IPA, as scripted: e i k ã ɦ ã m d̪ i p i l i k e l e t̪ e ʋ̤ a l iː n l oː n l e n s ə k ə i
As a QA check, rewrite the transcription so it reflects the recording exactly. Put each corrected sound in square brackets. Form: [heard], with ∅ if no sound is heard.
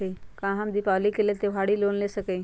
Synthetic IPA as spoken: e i k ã ɦ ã m d̪ i p [a] l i k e l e t̪ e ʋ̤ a [ɽ] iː [∅] l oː n l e [∅] s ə k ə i